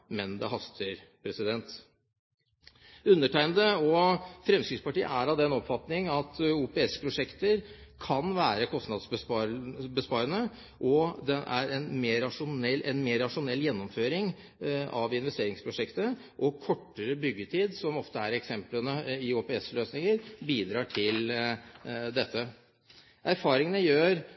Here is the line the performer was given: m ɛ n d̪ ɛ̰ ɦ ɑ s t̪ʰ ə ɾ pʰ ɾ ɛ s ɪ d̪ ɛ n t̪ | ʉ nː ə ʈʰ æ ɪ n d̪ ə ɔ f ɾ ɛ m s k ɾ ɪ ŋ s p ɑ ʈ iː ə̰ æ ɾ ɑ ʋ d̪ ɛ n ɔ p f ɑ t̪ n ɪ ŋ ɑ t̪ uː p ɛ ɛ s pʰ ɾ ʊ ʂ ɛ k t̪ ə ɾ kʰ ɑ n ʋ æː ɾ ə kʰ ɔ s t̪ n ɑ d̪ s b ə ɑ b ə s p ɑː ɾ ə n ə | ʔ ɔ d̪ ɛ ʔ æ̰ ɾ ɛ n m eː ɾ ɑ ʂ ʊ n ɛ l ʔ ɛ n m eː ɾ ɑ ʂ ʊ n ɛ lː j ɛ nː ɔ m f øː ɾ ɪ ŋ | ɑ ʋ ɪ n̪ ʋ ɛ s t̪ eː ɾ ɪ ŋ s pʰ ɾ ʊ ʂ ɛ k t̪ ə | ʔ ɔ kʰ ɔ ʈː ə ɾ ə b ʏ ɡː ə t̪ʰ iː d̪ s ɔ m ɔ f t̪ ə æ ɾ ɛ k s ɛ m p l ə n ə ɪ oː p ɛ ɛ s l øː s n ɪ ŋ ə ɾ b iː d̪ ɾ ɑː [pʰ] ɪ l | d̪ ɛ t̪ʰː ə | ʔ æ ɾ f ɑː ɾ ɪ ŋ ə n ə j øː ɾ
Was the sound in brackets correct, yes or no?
no